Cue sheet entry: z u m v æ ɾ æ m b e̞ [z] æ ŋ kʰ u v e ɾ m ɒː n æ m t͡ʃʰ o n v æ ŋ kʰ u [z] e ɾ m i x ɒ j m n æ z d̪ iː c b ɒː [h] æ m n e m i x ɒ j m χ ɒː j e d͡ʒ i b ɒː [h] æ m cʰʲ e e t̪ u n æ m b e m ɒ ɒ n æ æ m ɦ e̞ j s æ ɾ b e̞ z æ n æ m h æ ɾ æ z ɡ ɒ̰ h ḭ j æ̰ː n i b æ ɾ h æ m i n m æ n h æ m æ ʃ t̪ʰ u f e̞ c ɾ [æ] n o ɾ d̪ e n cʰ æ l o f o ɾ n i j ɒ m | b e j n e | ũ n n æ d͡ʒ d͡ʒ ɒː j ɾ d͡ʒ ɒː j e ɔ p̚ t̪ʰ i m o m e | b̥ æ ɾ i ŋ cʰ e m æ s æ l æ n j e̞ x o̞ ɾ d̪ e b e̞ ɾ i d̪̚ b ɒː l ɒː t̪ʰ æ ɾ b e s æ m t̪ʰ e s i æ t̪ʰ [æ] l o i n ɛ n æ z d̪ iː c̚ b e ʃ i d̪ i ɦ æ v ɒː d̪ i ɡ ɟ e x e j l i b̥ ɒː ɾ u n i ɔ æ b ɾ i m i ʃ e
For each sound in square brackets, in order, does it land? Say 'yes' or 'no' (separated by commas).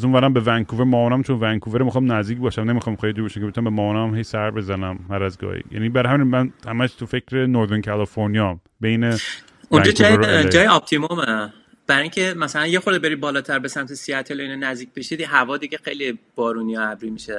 no, no, no, no, no, no